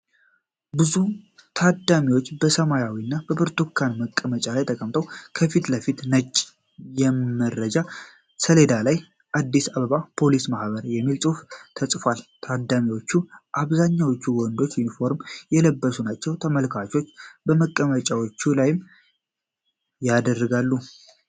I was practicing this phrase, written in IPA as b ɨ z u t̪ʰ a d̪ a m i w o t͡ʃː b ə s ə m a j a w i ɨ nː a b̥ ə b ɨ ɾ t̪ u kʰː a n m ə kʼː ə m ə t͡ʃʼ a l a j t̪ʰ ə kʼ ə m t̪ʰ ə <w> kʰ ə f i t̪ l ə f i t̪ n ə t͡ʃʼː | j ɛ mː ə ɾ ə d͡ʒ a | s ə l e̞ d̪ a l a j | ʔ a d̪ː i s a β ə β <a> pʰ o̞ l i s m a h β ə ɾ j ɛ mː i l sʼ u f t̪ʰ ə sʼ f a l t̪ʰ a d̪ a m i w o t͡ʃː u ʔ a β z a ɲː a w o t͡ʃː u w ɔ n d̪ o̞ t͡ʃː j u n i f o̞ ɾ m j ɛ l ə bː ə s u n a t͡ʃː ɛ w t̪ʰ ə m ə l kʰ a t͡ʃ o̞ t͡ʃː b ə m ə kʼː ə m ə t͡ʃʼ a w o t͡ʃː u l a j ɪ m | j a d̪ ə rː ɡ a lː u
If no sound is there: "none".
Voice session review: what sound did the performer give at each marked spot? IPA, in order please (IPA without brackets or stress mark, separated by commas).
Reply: w, a